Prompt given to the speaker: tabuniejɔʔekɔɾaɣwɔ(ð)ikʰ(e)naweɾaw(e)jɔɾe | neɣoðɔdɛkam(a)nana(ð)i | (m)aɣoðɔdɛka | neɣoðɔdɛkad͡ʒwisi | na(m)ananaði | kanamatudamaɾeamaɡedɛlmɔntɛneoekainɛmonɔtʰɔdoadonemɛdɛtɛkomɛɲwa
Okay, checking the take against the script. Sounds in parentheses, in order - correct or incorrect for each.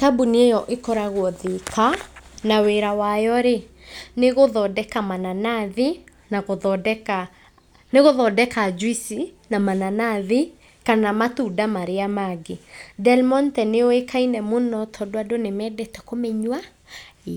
correct, incorrect, incorrect, correct, correct, incorrect, correct

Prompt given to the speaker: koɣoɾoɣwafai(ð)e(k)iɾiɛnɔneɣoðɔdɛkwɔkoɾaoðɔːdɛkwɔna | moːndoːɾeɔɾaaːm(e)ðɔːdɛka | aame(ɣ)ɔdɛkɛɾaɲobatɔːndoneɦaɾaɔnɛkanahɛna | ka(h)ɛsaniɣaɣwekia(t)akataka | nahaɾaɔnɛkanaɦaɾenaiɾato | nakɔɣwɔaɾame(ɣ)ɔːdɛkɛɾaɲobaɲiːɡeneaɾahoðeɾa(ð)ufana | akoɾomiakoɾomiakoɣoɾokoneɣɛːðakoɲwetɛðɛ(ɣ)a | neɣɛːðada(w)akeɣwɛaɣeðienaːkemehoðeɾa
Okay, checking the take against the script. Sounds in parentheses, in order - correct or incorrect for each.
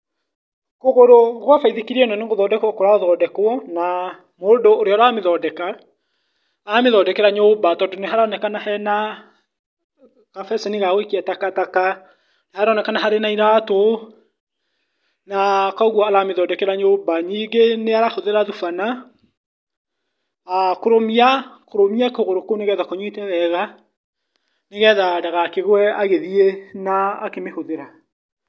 correct, correct, correct, incorrect, incorrect, correct, incorrect, correct, correct, incorrect

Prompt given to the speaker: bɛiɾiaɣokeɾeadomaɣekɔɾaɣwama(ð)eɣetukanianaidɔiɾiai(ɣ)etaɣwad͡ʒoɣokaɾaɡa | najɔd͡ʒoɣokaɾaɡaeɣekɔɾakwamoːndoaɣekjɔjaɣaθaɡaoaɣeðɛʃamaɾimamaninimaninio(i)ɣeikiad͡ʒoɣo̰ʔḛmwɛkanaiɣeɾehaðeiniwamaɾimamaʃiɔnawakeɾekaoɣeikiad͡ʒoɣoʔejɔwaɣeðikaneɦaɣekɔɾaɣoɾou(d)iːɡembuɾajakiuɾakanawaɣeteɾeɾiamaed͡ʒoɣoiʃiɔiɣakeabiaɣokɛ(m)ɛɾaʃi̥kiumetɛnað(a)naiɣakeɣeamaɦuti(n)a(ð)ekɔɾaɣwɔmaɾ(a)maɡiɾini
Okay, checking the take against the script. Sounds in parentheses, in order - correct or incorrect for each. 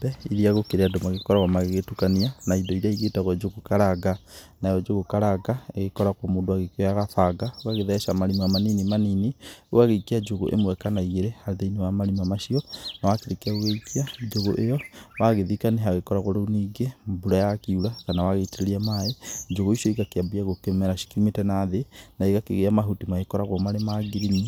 incorrect, correct, incorrect, incorrect, correct, incorrect, incorrect, incorrect, incorrect

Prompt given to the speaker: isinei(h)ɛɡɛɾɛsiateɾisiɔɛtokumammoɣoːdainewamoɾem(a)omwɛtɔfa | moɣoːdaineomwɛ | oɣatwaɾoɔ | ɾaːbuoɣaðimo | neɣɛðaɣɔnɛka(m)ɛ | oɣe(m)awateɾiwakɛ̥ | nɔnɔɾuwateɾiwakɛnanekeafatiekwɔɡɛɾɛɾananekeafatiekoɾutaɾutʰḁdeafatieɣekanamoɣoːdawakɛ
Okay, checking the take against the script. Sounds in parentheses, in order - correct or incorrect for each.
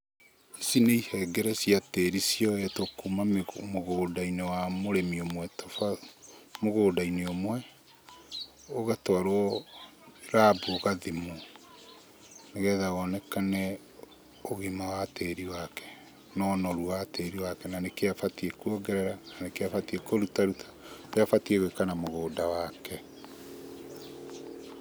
correct, incorrect, incorrect, correct

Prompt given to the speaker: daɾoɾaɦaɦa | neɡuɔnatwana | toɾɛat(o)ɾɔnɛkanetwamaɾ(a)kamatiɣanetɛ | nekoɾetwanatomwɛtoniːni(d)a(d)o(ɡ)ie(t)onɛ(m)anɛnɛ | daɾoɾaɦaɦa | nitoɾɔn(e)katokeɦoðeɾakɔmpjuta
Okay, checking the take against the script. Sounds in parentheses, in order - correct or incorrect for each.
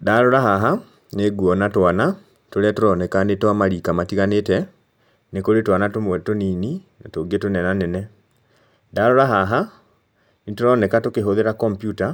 correct, incorrect, incorrect, incorrect, correct, correct, incorrect, incorrect

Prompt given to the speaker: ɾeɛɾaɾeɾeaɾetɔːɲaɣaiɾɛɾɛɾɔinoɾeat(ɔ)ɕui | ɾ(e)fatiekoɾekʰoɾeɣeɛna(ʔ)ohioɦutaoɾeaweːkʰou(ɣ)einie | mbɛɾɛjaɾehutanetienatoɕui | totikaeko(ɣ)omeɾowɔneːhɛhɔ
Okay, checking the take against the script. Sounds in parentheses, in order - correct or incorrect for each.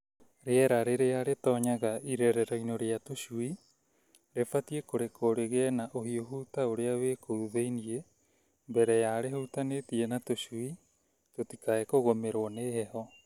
incorrect, correct, correct, incorrect, correct

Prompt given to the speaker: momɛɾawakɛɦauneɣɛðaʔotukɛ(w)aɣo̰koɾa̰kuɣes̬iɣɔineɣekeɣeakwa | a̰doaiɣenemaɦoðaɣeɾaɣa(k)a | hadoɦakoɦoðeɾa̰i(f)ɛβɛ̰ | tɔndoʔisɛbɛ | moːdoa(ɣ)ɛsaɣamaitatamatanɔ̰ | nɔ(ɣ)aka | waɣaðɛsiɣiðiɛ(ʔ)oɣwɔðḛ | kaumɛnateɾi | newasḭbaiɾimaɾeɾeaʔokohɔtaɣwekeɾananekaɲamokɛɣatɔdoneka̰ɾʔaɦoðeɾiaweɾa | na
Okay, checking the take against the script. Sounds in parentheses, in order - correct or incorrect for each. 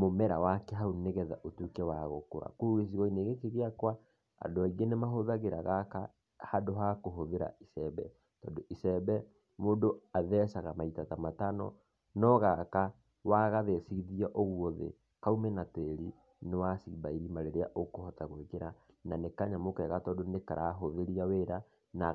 correct, correct, incorrect, incorrect, correct, correct

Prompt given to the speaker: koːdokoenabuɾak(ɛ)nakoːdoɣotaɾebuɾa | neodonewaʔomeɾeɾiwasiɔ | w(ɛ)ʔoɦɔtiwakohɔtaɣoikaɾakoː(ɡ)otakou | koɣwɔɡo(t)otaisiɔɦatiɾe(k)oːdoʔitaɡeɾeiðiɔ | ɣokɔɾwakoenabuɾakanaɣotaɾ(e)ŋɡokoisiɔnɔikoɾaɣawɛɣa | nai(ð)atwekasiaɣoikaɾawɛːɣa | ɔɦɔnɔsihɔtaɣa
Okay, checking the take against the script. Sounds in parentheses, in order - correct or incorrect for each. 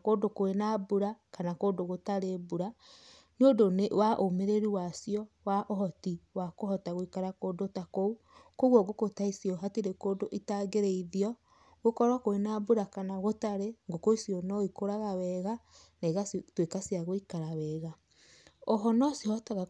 incorrect, incorrect, incorrect, incorrect, correct, correct, incorrect

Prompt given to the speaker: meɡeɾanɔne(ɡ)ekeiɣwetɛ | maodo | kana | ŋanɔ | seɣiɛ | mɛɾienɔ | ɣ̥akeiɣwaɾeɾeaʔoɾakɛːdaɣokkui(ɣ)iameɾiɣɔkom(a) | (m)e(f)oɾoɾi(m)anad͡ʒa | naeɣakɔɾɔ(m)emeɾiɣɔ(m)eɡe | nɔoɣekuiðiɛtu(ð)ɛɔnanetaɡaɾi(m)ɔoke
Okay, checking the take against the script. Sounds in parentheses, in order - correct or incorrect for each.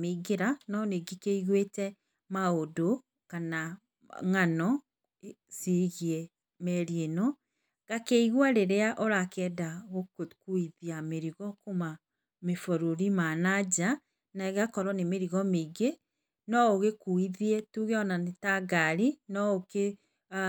correct, incorrect, correct, correct, correct, correct, incorrect, correct, incorrect, incorrect

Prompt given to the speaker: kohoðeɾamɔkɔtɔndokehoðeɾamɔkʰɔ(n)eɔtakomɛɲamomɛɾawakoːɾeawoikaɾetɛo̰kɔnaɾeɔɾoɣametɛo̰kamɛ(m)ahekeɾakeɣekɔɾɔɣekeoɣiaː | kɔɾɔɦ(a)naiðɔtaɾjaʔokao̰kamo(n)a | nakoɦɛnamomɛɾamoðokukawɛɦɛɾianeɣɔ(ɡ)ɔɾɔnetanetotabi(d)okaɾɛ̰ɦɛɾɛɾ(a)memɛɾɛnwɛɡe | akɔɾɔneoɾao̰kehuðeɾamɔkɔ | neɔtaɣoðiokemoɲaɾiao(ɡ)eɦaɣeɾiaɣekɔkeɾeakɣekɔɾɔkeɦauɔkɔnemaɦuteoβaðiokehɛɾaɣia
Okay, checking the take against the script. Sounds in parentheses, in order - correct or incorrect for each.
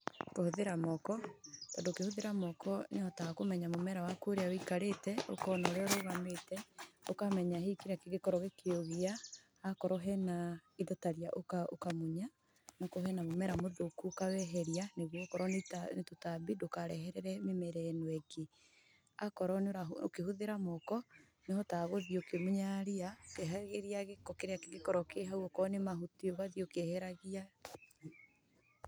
correct, incorrect, incorrect, incorrect, incorrect, correct, incorrect, incorrect

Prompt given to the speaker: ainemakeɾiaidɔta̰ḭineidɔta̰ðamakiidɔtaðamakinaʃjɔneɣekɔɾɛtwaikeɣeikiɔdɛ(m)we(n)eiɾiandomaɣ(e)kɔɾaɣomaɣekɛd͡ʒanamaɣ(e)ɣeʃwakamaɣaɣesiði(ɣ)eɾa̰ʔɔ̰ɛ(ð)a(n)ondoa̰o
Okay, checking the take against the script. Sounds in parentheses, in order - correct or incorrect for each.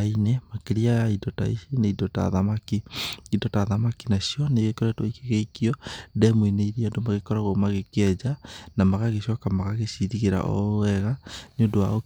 correct, correct, correct, incorrect, correct, incorrect, correct

